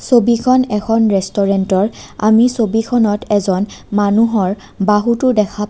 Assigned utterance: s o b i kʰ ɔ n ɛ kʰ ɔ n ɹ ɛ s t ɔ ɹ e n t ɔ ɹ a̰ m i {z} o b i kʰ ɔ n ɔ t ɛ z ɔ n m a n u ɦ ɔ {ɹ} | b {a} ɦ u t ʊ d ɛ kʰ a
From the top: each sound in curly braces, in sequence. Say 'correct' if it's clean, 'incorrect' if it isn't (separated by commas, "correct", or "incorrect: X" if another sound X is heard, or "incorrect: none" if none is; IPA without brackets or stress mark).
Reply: incorrect: s, correct, correct